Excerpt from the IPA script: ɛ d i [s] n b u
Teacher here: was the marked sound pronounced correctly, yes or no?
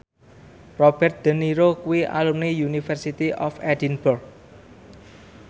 no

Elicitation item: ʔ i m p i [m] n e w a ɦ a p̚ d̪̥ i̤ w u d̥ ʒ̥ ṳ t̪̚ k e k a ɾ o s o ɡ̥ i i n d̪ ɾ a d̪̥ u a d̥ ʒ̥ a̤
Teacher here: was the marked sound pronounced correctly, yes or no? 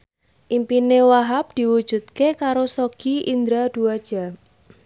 no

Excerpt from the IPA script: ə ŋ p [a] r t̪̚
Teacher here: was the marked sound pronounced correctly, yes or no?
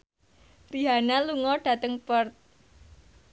no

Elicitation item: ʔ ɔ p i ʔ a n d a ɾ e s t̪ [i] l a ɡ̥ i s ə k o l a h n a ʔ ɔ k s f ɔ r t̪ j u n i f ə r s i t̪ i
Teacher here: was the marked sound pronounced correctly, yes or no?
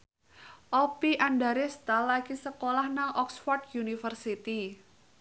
no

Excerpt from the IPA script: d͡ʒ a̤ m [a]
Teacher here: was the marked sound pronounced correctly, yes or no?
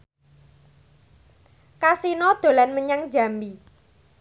no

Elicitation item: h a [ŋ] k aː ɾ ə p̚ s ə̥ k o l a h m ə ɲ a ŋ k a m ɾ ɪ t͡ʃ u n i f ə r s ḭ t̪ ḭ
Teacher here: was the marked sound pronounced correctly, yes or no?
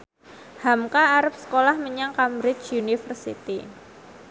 no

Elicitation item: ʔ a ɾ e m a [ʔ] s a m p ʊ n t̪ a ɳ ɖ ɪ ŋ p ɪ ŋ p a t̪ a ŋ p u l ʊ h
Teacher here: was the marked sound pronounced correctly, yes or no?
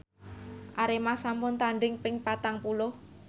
no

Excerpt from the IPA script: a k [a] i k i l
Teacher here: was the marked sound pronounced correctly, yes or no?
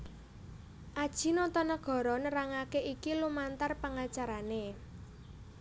no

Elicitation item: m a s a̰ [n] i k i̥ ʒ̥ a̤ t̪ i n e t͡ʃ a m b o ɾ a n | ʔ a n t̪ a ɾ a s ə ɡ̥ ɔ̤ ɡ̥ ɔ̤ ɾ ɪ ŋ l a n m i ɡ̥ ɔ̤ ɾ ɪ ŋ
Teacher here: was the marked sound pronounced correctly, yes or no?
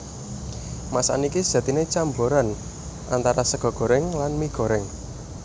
yes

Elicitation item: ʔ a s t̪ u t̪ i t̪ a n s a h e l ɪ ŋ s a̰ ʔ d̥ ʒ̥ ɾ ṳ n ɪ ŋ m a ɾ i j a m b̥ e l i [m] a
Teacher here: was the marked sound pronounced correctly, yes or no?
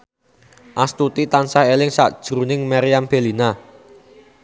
no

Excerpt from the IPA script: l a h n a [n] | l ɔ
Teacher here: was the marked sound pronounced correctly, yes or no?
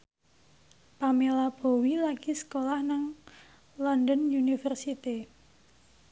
no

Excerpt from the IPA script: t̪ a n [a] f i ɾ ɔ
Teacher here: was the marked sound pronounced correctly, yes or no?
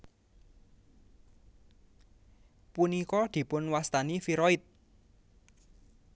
no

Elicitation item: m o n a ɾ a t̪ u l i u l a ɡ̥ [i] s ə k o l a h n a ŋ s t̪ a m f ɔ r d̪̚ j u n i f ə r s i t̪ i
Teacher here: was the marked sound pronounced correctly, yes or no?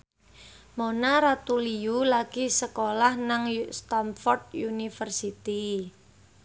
yes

